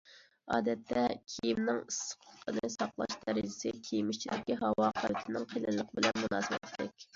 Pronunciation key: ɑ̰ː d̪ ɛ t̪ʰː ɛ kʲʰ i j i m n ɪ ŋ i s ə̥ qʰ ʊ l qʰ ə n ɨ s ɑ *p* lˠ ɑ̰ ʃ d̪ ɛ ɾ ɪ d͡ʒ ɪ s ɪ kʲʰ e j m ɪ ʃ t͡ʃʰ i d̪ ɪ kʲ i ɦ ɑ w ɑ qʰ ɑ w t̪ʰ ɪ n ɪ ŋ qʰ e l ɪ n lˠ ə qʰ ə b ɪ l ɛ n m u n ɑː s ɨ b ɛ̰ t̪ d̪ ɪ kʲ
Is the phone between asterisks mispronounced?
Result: yes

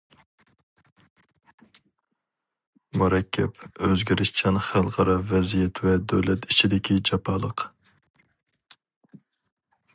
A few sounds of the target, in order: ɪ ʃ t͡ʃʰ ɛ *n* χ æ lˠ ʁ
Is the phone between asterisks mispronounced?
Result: no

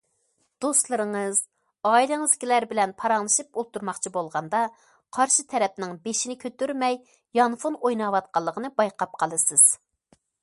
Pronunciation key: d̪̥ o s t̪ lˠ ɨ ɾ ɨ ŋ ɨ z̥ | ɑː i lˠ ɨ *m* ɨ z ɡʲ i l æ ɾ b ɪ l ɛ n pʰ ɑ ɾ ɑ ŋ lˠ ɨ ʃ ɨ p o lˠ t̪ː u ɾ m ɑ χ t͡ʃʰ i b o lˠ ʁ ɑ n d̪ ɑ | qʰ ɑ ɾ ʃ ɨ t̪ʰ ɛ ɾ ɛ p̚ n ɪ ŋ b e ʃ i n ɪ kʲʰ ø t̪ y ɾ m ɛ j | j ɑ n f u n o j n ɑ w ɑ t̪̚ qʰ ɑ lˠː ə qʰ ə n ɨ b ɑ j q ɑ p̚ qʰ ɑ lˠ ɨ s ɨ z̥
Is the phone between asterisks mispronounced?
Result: yes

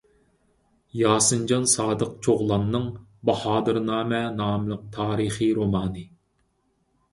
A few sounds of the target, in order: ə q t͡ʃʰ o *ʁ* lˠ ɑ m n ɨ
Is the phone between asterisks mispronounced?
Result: no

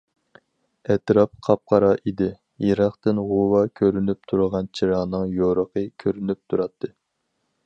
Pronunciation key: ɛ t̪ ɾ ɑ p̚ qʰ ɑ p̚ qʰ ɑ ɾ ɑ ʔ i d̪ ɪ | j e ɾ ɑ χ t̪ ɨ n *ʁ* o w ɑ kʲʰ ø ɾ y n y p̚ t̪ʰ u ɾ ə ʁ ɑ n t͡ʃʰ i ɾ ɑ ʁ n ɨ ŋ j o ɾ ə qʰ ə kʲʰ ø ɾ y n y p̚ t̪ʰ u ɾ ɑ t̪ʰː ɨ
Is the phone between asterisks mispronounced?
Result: no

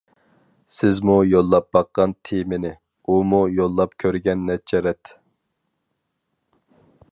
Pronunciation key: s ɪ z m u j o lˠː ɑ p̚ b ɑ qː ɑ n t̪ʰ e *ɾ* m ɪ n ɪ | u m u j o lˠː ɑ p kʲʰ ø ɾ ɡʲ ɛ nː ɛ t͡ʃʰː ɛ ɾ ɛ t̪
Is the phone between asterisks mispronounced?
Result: yes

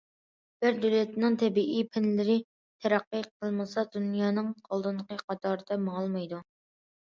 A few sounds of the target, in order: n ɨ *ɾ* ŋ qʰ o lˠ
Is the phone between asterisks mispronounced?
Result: yes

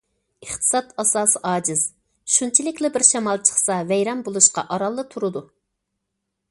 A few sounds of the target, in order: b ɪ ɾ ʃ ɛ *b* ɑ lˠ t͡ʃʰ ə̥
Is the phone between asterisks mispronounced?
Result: yes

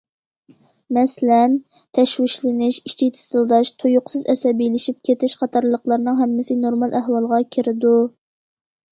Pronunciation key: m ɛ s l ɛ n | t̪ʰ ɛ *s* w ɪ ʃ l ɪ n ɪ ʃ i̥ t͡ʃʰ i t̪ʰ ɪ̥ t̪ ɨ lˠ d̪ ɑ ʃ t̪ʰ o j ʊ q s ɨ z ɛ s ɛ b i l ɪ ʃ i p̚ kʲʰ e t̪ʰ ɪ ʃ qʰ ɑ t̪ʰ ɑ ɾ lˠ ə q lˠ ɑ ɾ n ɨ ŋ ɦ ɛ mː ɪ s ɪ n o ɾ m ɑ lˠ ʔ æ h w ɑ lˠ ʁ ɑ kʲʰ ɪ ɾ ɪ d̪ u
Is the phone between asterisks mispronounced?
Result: yes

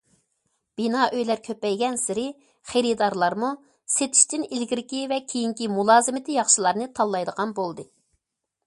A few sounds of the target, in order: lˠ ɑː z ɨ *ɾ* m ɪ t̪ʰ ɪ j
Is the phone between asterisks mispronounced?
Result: yes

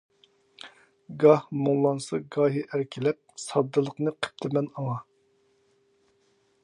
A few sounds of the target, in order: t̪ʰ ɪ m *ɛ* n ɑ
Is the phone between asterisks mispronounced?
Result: no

